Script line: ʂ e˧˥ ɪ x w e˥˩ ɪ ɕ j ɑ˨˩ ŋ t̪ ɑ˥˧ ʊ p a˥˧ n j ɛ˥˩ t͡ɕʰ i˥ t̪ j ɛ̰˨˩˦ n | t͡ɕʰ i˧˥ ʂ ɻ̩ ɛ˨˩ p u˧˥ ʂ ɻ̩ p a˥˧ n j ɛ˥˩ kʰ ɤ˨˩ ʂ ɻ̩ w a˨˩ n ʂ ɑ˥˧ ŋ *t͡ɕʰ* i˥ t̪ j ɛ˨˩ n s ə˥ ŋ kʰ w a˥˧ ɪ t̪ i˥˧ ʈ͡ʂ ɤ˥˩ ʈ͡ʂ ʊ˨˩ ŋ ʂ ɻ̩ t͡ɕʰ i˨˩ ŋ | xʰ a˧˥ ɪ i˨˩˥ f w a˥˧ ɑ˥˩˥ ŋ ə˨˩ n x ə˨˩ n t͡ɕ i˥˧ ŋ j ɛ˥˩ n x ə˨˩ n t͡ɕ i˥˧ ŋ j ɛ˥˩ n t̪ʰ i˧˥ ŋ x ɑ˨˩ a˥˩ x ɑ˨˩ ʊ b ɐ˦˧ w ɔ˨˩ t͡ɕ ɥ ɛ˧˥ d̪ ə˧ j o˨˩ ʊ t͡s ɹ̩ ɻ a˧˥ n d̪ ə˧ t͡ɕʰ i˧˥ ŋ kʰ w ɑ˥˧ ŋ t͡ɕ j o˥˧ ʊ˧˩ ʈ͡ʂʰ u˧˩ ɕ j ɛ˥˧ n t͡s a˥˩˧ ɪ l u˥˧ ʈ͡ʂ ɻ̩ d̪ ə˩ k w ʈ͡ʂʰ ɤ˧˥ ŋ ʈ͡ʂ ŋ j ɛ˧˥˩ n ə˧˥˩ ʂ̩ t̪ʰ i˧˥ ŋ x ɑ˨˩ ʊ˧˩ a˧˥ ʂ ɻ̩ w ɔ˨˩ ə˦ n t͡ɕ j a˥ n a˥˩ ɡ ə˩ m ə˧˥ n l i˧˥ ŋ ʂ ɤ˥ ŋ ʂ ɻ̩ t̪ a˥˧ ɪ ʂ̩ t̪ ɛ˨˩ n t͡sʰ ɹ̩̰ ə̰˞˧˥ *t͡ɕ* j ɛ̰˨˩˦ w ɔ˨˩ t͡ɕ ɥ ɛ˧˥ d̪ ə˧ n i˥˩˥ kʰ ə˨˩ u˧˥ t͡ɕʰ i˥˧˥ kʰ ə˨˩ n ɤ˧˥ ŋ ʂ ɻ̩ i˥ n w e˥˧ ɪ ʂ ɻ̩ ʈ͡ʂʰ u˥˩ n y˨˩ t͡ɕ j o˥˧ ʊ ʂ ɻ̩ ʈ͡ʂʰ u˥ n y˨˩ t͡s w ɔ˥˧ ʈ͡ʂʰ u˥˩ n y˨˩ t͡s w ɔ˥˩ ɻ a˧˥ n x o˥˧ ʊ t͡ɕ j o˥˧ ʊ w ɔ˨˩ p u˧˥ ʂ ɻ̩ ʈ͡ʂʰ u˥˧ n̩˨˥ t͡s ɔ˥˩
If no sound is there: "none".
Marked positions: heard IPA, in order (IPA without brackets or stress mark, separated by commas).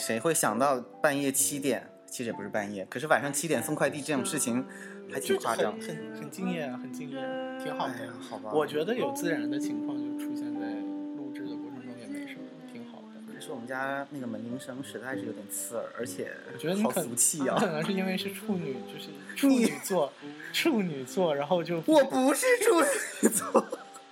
t͡ɕʰ, t͡ɕʰ